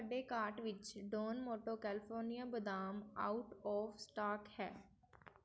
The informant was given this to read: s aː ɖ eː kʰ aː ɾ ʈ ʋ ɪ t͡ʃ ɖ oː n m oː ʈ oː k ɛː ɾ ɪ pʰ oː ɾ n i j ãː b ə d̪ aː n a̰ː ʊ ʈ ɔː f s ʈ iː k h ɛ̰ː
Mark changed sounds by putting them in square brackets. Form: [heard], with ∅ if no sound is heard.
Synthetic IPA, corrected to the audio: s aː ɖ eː [k] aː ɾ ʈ ʋ ɪ t͡ʃ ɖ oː n m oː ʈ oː k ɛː [l] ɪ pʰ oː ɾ n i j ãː b ə d̪ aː [m] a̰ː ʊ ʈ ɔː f s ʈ [aː] k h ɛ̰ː